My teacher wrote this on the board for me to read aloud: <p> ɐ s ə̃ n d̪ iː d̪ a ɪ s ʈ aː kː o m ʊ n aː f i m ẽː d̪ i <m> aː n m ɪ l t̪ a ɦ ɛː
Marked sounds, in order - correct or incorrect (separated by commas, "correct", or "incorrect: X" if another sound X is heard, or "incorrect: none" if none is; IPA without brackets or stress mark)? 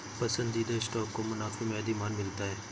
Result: correct, correct